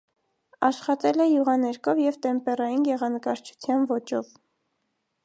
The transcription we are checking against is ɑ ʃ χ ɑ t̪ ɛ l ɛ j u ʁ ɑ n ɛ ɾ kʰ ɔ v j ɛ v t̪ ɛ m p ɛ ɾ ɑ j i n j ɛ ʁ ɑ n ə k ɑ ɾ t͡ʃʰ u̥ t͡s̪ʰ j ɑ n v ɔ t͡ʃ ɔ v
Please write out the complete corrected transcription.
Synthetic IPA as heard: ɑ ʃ χ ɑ t̪ ɛ l ɛ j u ʁ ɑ n ɛ ɾ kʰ ɔ v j ɛ v t̪ ɛ m p ɛ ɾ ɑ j i n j ɛ ʁ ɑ n ə k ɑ ɾ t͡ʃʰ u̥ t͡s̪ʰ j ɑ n v ɔ t͡ʃ ɔ v